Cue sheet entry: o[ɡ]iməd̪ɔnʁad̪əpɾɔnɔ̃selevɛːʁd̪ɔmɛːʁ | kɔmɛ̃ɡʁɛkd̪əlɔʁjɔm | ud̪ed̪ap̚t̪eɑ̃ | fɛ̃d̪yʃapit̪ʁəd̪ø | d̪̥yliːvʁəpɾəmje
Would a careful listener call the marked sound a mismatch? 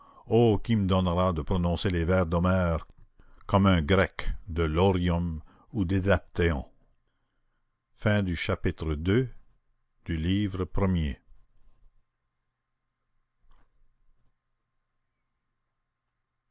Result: yes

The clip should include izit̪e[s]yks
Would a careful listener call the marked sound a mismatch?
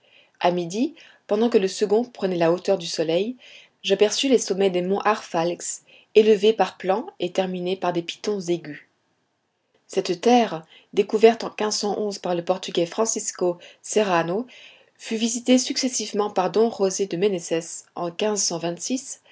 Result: no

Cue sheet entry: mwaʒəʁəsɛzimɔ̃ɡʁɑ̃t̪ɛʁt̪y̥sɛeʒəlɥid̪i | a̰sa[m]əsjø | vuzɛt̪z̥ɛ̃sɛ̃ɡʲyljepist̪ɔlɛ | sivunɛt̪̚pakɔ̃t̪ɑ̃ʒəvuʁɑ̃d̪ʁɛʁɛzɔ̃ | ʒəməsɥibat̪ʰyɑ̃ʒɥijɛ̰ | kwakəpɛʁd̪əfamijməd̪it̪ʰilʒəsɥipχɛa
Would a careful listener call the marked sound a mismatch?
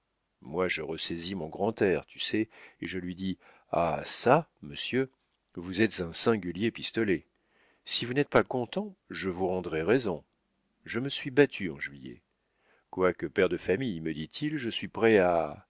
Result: no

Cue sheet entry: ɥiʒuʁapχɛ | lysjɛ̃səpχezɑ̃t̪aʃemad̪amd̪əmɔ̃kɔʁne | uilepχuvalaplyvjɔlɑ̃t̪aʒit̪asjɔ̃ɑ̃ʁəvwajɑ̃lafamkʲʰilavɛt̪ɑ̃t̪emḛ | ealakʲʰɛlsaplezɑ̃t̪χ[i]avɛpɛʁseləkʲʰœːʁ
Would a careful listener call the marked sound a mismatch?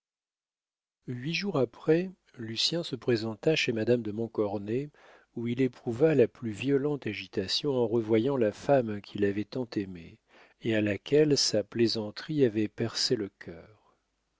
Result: no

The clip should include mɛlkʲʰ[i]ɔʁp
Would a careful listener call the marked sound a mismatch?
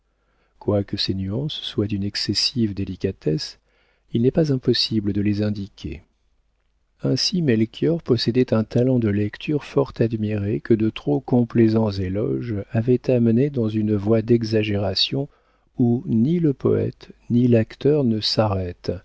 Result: yes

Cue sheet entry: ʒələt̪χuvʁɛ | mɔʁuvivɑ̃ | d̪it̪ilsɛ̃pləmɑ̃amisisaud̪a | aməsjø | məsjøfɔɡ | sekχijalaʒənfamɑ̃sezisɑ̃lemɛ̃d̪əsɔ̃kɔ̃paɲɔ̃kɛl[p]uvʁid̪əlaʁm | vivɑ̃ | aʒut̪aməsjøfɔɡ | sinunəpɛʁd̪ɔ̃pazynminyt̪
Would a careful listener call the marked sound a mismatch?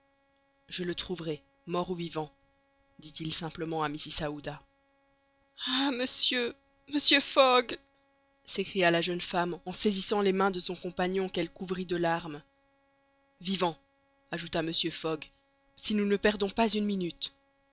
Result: yes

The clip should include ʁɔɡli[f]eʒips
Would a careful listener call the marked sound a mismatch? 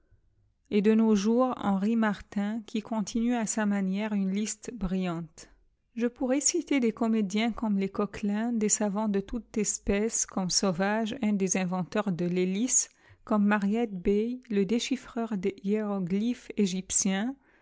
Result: no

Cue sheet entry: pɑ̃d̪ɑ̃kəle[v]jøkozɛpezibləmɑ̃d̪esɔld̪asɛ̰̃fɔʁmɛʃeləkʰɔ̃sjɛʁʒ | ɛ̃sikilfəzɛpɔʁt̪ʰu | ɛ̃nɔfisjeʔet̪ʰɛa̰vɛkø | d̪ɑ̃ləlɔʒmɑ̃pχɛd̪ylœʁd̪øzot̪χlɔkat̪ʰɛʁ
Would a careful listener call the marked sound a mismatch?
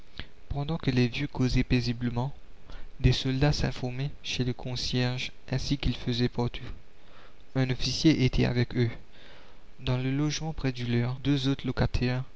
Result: no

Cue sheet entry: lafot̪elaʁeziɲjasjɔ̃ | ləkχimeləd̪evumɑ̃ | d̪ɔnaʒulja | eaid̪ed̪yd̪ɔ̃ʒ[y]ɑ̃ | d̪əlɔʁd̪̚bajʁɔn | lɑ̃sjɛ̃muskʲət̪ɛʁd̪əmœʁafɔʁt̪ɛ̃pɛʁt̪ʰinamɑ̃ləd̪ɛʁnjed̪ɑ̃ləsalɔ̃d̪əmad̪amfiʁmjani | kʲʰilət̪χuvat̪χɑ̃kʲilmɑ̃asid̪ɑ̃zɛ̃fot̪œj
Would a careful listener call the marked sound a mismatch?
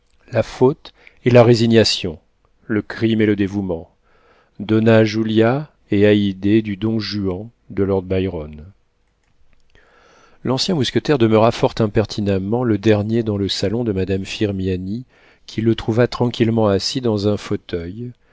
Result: no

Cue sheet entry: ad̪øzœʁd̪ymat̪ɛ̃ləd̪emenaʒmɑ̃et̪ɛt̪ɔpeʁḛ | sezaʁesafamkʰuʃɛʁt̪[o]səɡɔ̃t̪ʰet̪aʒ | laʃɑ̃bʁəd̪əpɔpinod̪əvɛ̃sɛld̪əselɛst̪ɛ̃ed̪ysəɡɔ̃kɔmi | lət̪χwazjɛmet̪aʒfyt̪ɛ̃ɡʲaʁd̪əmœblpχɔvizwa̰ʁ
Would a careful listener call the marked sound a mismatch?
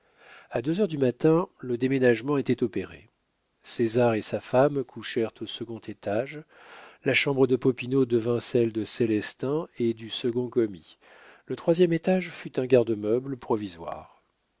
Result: no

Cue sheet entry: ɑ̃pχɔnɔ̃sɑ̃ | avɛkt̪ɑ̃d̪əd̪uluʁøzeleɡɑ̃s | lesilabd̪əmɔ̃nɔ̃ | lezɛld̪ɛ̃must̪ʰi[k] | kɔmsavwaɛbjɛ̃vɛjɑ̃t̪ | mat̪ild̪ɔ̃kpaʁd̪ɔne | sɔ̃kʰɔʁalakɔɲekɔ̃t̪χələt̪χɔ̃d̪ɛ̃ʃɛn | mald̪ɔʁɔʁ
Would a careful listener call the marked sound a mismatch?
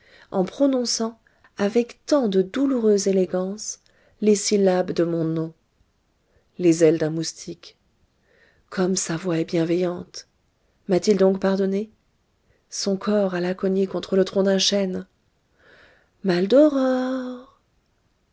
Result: no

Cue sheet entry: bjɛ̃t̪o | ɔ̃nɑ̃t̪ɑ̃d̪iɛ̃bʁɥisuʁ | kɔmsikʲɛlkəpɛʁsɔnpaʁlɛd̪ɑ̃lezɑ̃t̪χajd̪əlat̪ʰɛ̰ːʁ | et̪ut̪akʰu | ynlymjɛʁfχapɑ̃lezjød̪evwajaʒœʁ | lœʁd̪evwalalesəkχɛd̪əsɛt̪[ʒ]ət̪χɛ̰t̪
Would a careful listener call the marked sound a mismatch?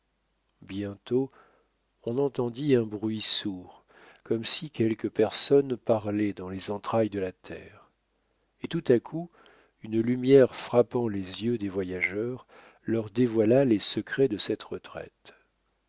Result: yes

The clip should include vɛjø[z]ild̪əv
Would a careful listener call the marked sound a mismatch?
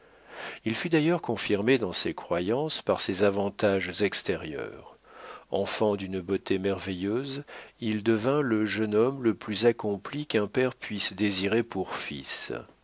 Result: no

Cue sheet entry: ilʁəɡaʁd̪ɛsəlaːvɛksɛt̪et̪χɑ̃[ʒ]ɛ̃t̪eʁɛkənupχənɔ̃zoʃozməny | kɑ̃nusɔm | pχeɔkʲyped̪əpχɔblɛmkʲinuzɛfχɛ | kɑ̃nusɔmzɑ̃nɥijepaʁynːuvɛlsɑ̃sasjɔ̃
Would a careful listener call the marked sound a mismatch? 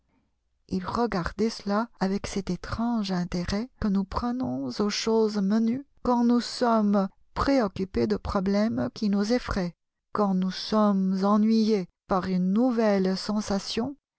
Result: no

